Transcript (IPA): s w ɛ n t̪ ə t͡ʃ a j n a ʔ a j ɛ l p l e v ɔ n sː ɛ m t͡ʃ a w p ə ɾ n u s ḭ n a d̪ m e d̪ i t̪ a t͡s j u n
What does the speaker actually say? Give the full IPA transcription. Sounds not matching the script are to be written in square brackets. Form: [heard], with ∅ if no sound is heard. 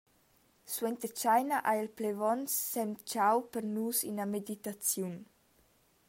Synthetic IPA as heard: s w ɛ n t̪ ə t͡ʃ a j n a ʔ a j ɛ l p l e v ɔ n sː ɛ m t͡ʃ a w p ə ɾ n u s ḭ n a [∅] m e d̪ i t̪ a t͡s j u n